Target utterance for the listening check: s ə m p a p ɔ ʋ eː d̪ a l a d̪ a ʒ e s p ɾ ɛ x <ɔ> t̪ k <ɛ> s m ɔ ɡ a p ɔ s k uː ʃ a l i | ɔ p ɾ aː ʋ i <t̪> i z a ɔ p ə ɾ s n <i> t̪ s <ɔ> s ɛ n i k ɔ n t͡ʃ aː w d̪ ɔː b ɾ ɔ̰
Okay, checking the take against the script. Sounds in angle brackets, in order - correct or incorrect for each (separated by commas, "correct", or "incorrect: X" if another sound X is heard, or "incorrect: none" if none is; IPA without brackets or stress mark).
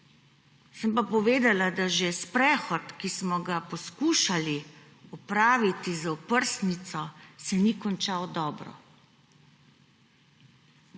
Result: correct, incorrect: i, correct, correct, correct